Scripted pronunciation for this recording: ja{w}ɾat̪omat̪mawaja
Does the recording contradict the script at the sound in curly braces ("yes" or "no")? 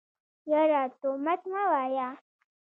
yes